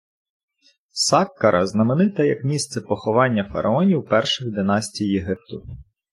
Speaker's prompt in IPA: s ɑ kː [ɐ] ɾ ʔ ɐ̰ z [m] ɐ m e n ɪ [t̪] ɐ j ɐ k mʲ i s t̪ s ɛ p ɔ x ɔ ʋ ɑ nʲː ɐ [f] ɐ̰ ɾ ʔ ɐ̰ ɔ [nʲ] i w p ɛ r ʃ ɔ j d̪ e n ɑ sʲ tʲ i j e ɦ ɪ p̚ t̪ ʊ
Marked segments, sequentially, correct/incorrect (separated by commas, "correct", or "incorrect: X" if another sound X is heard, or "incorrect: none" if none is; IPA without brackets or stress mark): correct, incorrect: n, correct, correct, correct